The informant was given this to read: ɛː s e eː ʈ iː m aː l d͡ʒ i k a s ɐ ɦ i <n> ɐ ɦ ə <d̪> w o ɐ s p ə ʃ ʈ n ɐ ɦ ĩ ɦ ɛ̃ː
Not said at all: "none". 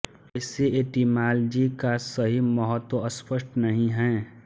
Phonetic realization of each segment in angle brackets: m, t̪

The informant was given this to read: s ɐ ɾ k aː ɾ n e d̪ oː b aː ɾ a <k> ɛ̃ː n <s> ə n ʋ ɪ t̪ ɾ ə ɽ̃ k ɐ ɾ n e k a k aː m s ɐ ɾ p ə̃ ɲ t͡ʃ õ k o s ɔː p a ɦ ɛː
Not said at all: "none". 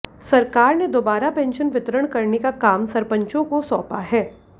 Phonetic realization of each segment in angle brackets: p, ʃ

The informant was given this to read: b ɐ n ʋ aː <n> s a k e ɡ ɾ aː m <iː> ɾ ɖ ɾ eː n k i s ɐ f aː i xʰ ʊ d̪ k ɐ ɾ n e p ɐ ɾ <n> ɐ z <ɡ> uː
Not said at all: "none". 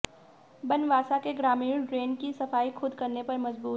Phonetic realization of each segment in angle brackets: none, iː, m, b

